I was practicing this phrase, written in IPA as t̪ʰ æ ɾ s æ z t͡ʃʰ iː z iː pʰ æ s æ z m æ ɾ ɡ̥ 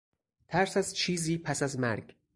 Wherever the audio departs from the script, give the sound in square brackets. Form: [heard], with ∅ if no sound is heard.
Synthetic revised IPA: t̪ʰ æ ɾ s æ z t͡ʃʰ iː z iː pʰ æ s æ z m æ ɾ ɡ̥